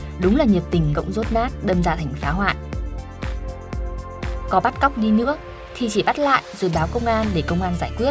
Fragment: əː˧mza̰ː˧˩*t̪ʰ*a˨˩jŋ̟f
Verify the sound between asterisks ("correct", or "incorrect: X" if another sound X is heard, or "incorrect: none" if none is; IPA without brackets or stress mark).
correct